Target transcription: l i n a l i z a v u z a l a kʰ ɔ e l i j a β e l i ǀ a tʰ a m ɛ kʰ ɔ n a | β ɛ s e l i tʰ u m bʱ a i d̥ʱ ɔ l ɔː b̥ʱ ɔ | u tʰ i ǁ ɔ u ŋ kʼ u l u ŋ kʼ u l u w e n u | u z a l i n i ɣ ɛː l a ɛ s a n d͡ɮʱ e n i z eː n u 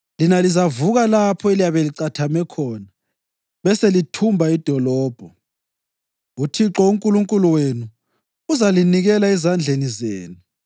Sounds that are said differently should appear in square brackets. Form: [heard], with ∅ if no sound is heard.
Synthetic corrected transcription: l i n a l i z a v u [ɣ] a l a [pʰ] ɔ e l i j a β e l i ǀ a tʰ a m ɛ kʰ ɔ n a | β ɛ s e l i tʰ u m bʱ a i d̥ʱ ɔ l ɔː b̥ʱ ɔ | u tʰ i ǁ ɔ u ŋ kʼ u l u ŋ kʼ u l u w e n u | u z a l i n i ɣ [ɛ] l a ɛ [z] a n d͡ɮʱ e n i z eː n u